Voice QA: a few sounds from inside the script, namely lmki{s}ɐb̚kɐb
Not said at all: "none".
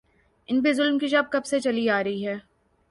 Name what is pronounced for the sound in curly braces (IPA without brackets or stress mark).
ʃ